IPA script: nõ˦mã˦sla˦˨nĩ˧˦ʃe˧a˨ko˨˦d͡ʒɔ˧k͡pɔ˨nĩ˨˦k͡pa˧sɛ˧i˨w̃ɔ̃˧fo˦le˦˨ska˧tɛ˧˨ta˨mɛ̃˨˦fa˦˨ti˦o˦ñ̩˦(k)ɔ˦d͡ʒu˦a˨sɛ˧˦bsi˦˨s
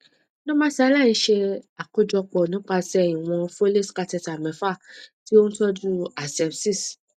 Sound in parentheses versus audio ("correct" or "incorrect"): incorrect